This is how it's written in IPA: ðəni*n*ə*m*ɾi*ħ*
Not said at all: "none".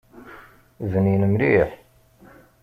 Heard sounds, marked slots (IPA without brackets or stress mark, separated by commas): n, m, ħ